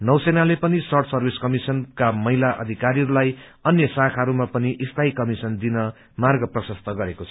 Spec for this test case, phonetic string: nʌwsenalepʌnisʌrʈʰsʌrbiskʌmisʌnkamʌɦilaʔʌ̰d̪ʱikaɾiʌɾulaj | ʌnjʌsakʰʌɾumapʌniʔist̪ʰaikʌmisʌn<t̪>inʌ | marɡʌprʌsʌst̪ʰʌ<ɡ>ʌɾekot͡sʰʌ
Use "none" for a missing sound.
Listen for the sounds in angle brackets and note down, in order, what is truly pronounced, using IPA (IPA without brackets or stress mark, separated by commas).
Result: d̪, ɡ